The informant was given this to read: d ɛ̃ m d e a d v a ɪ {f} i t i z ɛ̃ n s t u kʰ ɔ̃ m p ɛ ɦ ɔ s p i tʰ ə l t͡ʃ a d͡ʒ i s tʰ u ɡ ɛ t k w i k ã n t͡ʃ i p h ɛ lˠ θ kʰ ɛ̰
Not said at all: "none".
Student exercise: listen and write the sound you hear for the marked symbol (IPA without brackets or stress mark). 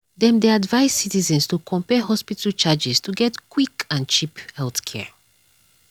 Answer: s